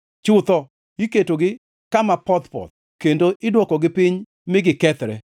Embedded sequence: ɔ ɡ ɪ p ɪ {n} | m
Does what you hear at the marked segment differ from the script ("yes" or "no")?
yes